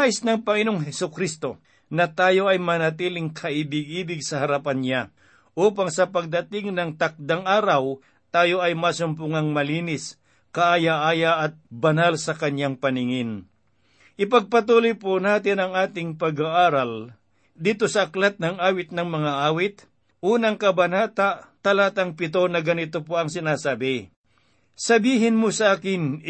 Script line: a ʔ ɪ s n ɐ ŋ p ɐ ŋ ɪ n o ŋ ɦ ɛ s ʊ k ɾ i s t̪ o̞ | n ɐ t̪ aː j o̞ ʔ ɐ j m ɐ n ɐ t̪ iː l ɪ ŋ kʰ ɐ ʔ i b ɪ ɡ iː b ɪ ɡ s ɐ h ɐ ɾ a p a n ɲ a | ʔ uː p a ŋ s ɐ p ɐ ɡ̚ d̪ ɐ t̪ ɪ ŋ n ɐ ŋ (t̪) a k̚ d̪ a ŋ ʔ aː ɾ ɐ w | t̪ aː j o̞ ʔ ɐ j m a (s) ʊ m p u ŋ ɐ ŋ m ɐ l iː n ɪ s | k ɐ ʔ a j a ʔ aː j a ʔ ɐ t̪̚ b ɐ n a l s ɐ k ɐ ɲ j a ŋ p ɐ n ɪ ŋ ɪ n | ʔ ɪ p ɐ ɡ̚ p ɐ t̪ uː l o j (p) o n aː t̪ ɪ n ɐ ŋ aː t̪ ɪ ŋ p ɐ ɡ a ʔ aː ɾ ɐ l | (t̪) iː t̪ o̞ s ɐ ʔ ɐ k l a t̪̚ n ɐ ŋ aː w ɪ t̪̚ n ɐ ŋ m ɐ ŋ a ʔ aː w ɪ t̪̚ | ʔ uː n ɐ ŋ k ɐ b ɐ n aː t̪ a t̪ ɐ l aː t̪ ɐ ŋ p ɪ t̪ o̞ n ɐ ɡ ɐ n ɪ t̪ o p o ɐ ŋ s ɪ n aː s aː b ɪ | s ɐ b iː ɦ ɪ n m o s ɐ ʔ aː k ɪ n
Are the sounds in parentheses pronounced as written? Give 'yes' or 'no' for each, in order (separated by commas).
yes, yes, yes, no